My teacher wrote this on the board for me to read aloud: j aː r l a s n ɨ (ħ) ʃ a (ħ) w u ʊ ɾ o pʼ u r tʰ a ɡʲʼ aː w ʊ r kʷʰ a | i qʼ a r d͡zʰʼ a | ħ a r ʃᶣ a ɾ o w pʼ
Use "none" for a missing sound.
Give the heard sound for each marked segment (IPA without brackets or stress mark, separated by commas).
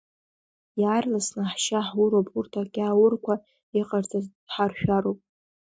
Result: ħ, ħ